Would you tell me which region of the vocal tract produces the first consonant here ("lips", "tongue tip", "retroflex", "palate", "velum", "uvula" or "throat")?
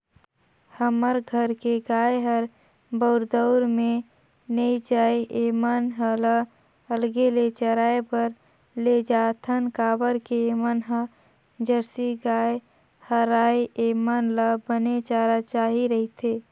throat